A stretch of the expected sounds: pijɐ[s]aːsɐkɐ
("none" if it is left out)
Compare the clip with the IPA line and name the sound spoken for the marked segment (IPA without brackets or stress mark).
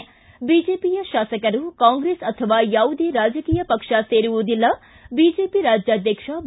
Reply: ʃ